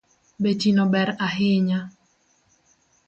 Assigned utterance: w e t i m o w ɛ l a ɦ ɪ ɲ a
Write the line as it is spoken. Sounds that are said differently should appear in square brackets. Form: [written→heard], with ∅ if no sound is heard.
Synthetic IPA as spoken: [w→b] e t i [m→n] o [w→b] ɛ [l→ɾ] a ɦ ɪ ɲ a